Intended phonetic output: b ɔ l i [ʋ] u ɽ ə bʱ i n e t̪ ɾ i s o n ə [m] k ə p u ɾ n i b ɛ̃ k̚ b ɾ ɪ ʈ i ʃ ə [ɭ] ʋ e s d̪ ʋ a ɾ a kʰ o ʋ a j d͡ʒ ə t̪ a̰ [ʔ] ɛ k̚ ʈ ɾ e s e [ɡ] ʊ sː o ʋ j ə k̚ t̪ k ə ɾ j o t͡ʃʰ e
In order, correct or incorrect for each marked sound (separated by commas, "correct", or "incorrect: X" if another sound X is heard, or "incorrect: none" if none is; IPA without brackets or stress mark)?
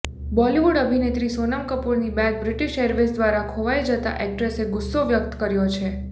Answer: correct, correct, incorrect: ɾ, correct, correct